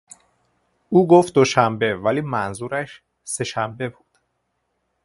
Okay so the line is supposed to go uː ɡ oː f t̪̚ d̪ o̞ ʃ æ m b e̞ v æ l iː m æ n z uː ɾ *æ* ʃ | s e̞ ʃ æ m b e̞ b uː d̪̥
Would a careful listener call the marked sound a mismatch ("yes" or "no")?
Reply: no